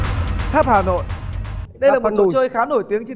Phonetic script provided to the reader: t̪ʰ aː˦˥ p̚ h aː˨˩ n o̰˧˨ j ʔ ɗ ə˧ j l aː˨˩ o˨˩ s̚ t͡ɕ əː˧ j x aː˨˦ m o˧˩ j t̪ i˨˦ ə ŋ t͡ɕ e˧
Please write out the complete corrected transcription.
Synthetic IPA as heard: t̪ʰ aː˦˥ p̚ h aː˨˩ n o̰˧˨ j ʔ ɗ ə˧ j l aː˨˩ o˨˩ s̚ t͡ɕ əː˧ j x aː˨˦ n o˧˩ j t̪ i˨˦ ə ŋ t͡ɕ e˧

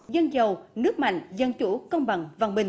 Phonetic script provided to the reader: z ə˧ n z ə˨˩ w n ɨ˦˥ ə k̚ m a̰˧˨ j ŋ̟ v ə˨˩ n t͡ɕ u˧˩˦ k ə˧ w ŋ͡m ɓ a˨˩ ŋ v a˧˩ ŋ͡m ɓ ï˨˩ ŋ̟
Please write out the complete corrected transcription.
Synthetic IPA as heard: z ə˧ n z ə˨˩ w n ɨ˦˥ ə k̚ m a̰˧˨ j ŋ̟ z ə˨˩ n t͡ɕ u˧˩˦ k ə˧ w ŋ͡m ɓ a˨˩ ŋ v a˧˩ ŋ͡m ɓ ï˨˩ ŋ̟

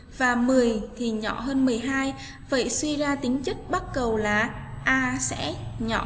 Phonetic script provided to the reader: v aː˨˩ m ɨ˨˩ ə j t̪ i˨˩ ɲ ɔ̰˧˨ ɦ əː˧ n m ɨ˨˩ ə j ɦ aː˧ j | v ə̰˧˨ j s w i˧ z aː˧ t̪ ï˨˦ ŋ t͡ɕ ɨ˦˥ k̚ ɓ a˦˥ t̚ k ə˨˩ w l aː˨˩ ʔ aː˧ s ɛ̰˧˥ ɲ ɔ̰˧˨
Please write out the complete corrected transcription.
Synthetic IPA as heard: v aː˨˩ m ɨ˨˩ ə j t̪ʰ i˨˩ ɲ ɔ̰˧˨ ɦ əː˧ n m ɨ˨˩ ə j ɦ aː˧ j | v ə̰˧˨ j s w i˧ z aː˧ t̪ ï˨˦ ŋ t͡ɕ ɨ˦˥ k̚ ɓ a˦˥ t̚ k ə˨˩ w l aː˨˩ ʔ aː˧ s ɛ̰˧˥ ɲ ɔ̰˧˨

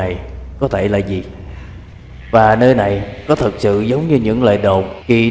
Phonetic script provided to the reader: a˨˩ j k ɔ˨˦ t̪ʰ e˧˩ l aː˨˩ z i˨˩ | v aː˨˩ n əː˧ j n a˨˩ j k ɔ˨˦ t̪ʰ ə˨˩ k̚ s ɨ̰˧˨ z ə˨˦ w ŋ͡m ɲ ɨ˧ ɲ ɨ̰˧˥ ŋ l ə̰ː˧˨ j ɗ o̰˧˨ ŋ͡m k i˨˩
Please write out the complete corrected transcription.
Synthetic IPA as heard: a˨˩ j k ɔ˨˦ t̪ʰ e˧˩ l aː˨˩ z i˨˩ | v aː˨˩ n əː˧ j n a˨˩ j k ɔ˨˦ t̪ʰ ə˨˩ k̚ s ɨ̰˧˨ z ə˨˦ w ŋ͡m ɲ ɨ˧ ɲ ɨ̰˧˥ ŋ l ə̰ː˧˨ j ɗ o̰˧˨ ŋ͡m k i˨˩

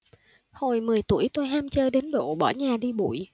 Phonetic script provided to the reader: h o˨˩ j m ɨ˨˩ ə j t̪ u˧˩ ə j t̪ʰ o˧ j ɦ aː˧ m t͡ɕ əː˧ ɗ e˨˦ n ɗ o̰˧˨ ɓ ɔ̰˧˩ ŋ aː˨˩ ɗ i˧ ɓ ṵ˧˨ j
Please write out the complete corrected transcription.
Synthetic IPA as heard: h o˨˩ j m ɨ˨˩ ə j t̪ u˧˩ ə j t̪ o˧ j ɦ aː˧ m t͡ɕ əː˧ ɗ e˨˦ n ɗ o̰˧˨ ɓ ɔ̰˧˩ ɲ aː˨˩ ɗ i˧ ɓ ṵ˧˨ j

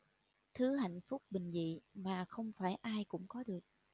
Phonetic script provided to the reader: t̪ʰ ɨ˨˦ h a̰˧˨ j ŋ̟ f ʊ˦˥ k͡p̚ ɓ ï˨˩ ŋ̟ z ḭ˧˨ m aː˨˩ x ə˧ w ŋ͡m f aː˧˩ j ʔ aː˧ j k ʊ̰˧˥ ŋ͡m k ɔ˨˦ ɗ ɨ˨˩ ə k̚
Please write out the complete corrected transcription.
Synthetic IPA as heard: t̪ʰ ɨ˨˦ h a̰˧˨ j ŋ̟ f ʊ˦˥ k͡p̚ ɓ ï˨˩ ŋ̟ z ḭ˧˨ m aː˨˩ x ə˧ w ŋ͡m f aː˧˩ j ʔ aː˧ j k ʊ̰˧˥ ŋ͡m k ɔ˨˦ ɗ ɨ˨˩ ə k̚

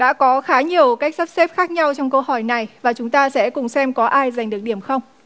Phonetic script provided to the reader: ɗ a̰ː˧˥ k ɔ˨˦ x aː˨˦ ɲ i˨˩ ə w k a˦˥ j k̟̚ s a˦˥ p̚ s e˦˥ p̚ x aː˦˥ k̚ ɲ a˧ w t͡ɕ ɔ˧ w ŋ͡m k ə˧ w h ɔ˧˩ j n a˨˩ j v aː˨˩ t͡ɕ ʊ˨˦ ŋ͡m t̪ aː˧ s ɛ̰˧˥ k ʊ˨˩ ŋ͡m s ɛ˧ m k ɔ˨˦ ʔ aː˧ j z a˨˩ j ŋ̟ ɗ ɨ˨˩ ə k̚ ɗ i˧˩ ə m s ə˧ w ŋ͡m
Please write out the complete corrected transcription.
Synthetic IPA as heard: ɗ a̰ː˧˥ k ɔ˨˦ x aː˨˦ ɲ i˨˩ ə w k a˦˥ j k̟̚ s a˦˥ p̚ s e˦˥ p̚ x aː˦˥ k̚ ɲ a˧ w t͡ɕ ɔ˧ w ŋ͡m k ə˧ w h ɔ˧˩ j n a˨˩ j v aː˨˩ t͡ɕ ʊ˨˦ ŋ͡m t̪ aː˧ s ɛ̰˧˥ k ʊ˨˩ ŋ͡m s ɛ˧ m k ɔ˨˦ ʔ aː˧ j z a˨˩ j ŋ̟ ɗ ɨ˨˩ ə k̚ ɗ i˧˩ ə m x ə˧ w ŋ͡m

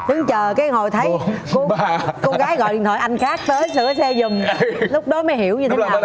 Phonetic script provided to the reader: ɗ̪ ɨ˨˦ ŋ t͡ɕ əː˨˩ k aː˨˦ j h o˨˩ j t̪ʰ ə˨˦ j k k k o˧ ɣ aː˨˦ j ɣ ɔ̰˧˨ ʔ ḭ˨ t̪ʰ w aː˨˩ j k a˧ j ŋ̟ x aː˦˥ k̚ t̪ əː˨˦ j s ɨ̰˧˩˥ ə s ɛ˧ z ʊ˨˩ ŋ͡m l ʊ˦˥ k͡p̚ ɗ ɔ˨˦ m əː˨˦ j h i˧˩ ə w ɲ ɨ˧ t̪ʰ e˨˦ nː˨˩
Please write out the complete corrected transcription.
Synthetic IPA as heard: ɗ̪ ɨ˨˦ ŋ t͡ɕ əː˨˩ k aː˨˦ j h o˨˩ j t̪ʰ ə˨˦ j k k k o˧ ɣ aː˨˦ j ɣ ɔ̰˧˨ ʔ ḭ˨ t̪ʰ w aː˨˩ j ʔ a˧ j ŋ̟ x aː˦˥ k̚ t̪ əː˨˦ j s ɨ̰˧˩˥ ə s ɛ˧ z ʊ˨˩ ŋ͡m l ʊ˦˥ k͡p̚ ɗ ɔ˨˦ m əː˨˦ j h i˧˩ ə w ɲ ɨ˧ t̪ʰ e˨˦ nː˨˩

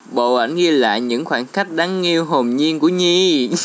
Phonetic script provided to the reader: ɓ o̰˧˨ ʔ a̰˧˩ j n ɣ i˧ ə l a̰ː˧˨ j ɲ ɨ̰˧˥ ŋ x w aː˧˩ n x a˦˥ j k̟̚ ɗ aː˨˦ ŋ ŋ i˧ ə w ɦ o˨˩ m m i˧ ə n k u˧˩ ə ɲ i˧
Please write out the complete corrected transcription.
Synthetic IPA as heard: ɓ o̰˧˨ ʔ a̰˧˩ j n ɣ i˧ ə l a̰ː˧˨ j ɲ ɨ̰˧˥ ŋ x w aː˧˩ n x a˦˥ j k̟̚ ɗ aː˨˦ ŋ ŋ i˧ ə w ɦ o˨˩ m ɲ i˧ ə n k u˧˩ ə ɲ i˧

